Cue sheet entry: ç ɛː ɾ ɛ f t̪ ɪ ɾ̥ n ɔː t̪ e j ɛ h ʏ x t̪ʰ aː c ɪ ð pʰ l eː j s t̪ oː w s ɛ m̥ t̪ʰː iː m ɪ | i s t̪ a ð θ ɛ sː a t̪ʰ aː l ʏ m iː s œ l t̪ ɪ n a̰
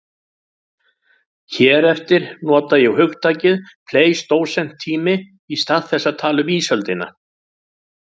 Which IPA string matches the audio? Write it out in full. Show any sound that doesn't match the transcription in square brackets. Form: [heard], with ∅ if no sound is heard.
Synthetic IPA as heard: ç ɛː ɾ ɛ f t̪ ɪ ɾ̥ n ɔː t̪ [a] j ɛ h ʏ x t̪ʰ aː c ɪ ð pʰ l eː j s t̪ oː w s ɛ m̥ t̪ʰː iː m ɪ | i s t̪ a ð θ ɛ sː a t̪ʰ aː l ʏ m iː s œ l t̪ ɪ n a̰